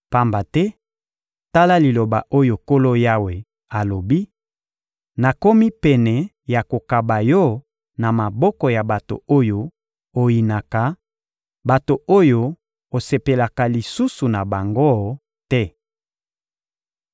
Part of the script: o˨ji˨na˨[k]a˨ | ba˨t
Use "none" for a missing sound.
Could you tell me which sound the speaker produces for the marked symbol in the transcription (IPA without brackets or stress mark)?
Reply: k